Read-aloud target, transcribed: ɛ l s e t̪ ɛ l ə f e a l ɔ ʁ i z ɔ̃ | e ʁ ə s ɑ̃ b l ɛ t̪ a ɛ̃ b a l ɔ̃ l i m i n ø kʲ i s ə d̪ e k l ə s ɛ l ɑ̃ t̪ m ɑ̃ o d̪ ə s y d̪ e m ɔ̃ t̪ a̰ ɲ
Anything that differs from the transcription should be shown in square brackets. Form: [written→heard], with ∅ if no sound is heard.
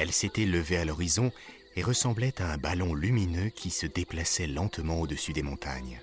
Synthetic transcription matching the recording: ɛ l s e t̪ ɛ l ə [f→v] e a l ɔ ʁ i z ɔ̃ | e ʁ ə s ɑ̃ b l ɛ t̪ a ɛ̃ b a l ɔ̃ l [i→y] m i n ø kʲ i s ə d̪ e [k→p] l [ə→a] s ɛ l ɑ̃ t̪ m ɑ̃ o d̪ ə s y d̪ e m ɔ̃ t̪ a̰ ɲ